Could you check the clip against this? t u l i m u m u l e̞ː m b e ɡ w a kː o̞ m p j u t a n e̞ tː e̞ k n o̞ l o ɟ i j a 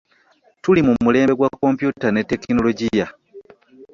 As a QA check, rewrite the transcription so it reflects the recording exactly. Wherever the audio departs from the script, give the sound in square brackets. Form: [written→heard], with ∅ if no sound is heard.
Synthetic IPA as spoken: t u l i m u m u l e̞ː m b e ɡ w a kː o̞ m p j u t a n e̞ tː e̞ k n o̞ l o ɟ i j a

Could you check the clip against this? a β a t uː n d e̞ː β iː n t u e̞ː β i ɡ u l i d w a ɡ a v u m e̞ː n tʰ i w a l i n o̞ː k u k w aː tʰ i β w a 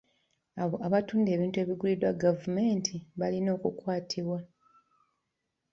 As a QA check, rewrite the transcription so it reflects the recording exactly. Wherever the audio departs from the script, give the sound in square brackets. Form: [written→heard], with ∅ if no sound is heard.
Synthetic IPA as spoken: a β a t uː n d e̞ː β iː n t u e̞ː β i ɡ u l i d w a ɡ a v u m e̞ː n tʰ i [w→β] a l i n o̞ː k u k w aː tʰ i β w a

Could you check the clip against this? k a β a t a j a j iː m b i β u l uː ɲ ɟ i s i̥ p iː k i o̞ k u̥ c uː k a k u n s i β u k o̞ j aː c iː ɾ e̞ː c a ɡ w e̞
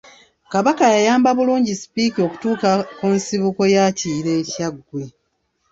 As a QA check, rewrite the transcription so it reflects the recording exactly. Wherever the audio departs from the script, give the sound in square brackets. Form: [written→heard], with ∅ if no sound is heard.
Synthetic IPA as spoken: k a β a [t→k] a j a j [iː→aː] m b [i→a] β u l uː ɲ ɟ i s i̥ p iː k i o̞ k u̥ [c→t] uː k a k u n s i β u k o̞ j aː c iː ɾ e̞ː c a ɡ w e̞

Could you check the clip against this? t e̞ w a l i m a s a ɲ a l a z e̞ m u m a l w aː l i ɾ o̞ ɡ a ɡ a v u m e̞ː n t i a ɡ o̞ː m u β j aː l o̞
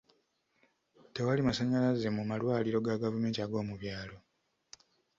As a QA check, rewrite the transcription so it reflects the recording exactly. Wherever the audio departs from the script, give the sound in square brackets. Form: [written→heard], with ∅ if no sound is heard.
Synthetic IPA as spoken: t e̞ w a l i m a s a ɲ a l a z e̞ m u m a l w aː l i ɾ o̞ ɡ a ɡ a v u m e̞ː n t i a ɡ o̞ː m u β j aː l o̞

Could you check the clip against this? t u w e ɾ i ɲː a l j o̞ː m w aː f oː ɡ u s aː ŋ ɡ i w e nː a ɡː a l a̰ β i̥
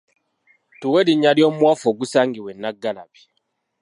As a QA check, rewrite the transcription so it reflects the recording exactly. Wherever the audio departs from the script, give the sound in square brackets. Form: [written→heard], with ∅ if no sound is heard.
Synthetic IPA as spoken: t u w e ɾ i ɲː a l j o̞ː m w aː f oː ɡ u s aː ŋ ɡ i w e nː a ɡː a l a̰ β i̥

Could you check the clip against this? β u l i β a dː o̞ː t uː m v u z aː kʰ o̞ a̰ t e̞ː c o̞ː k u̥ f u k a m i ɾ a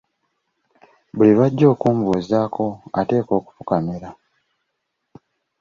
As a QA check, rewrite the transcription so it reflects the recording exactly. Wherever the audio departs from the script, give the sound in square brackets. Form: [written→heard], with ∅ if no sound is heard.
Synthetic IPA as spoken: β u l i β a [dː→ɟː] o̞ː [t→k] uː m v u z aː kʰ o̞ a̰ t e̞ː [c→k] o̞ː k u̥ f u k a m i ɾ a

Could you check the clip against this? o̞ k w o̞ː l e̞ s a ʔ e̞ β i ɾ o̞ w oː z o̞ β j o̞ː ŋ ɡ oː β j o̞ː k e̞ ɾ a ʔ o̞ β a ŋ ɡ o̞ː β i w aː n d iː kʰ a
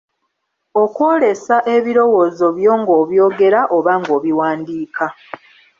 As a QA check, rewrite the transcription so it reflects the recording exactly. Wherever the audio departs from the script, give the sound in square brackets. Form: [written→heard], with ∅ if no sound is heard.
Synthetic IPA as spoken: o̞ k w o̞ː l e̞ s a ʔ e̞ β i ɾ o̞ w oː z o̞ β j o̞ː ŋ ɡ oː β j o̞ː [k→ɡ] e̞ ɾ a ʔ o̞ β a ŋ ɡ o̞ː β i w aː n d iː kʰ a

